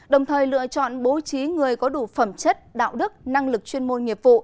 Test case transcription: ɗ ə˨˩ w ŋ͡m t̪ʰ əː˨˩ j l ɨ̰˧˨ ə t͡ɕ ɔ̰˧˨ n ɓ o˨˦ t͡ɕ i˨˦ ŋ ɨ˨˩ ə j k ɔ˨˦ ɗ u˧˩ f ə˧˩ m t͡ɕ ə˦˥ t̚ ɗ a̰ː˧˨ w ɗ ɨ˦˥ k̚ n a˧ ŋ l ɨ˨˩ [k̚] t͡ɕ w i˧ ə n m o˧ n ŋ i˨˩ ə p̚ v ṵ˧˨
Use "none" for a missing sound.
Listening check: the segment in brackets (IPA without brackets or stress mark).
k̚